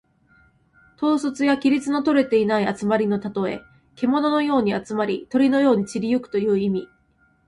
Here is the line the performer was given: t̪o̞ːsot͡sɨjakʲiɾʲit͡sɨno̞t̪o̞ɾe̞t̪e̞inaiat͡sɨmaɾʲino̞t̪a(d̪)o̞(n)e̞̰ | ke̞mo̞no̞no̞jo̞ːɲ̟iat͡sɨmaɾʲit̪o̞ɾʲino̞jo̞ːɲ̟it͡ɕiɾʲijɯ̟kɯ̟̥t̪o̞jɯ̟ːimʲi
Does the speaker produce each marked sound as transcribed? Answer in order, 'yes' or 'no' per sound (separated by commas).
no, no